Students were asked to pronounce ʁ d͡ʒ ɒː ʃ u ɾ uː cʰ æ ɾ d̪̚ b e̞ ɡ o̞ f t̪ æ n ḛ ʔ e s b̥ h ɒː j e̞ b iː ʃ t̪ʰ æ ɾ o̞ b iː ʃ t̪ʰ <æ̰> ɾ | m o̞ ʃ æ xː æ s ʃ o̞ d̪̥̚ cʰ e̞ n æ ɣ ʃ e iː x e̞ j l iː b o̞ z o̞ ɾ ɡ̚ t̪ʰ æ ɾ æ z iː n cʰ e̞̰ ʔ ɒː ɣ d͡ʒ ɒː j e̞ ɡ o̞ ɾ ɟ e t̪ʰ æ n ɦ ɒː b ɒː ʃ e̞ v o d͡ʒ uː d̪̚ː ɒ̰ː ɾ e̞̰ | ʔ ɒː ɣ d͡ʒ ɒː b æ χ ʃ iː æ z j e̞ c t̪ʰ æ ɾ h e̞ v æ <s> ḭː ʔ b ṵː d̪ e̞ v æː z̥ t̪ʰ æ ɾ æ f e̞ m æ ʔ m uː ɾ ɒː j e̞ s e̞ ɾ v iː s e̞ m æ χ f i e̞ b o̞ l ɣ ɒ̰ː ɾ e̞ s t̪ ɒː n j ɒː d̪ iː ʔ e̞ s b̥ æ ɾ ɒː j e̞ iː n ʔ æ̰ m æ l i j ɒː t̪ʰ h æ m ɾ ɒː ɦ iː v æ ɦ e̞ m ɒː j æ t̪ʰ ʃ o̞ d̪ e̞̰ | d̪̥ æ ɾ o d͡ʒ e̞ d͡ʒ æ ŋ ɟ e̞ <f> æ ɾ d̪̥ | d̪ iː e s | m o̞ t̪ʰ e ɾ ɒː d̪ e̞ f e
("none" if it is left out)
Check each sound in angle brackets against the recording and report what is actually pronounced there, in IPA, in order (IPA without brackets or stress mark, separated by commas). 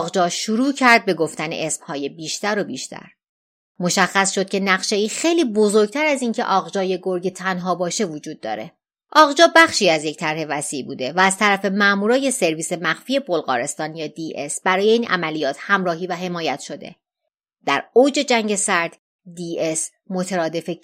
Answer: æ̰, s, s